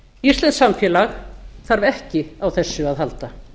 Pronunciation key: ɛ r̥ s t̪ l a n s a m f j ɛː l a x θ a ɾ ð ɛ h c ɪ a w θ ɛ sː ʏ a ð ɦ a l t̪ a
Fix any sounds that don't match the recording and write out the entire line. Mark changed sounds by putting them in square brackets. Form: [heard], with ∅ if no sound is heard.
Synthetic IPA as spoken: [i] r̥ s t̪ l [ɛ] n s a m f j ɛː l a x θ a ɾ [v] ɛ h c ɪ a w θ ɛ sː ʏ a ð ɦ a l t̪ a